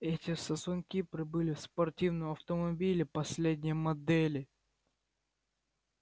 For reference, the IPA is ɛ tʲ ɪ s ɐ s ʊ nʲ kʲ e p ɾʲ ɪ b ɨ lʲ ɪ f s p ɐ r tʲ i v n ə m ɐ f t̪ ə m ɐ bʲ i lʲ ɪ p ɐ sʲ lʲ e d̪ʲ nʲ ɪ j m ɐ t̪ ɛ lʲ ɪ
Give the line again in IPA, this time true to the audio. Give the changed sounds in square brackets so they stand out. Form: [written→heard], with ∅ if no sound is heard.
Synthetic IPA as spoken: ɛ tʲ ɪ s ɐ s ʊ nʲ kʲ [e→i] p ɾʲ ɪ b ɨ lʲ ɪ f s p ɐ r tʲ i v n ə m ɐ f t̪ ə m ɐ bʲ i lʲ ɪ p ɐ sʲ lʲ e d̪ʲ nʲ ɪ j m ɐ [t̪→d̪] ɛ lʲ ɪ